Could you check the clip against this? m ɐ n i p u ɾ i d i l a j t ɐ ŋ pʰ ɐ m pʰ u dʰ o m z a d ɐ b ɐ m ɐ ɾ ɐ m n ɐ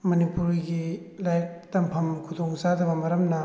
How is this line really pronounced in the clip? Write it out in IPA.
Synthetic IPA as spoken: m ɐ n i p u ɾ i ɡ i l a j t ɐ m pʰ ɐ m kʰ u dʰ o ŋ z a d ɐ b ɐ m ɐ ɾ ɐ m n ɐ

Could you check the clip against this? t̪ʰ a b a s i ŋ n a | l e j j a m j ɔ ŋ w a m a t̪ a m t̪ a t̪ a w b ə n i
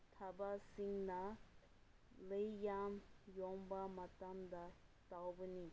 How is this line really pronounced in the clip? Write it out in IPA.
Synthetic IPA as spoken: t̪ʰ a b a s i ŋ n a | l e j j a m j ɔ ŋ b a m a t̪ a m d̪ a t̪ a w b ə n i

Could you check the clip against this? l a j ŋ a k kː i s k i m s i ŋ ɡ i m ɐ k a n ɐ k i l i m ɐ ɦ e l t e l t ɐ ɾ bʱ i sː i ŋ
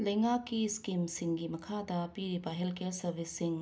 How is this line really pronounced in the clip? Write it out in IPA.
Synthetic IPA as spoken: l ɐ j ŋ a k kː i s k i m s i ŋ ɡ i m ɐ kʰ a d ɐ p i ɾ i b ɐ ɦ e l k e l s ɐ ɾ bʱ i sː i ŋ

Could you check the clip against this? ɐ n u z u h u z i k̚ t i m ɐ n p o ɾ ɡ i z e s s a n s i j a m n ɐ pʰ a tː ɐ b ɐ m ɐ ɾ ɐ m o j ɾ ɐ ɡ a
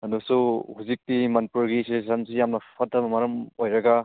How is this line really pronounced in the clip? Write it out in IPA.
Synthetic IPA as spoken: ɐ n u s u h u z i k̚ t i m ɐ n p u ɾ ɡ i s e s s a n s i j a m n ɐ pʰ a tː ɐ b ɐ m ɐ ɾ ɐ m o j ɾ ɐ ɡ a

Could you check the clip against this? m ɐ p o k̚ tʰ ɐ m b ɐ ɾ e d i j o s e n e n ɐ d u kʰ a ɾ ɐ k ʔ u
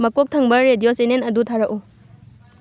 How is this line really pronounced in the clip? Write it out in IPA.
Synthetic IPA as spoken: m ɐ k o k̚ tʰ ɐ ŋ b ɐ ɾ e d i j o s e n e n ɐ d u tʰ a ɾ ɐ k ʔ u

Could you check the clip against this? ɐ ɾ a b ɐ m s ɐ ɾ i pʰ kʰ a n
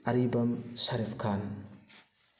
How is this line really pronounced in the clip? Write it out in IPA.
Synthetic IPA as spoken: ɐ ɾ i b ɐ m s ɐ ɾ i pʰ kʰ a n

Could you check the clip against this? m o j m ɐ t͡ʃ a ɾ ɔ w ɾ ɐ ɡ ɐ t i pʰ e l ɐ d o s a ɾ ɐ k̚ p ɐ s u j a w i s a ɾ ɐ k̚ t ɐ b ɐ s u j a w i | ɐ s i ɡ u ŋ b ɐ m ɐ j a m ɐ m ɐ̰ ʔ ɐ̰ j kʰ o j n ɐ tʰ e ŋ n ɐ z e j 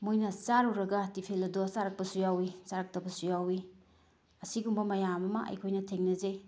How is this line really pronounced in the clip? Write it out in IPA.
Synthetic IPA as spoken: m o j n ɐ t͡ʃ a ɾ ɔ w ɾ ɐ ɡ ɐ t i pʰ e l ɐ d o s a ɾ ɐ k̚ p ɐ s u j a w i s a ɾ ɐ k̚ t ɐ b ɐ s u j a w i | ɐ s i ɡ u m b ɐ m ɐ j a m ɐ m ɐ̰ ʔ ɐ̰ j kʰ o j n ɐ tʰ e ŋ n ɐ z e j

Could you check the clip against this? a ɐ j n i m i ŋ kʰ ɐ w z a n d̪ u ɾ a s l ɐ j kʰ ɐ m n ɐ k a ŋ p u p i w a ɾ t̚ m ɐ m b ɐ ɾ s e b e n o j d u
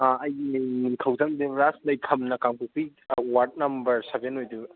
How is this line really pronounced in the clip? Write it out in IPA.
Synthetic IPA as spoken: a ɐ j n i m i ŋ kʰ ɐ w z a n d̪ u ɾ a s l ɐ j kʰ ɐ m n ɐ k a ŋ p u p i w a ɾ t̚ n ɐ m b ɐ ɾ s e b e n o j d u

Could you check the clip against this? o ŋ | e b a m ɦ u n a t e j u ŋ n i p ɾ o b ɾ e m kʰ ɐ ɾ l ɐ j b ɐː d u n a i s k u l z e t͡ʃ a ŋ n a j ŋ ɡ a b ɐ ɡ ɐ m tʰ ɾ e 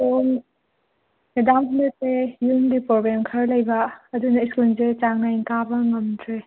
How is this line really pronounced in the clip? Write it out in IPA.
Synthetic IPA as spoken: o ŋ | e d a m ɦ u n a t e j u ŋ d i p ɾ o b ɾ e m kʰ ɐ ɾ l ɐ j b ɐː d u n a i s k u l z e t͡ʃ a ŋ n a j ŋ k a b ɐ ŋ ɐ m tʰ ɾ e

